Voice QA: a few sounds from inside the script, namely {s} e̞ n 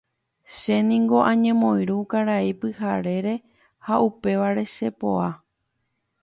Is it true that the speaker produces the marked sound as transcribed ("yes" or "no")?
no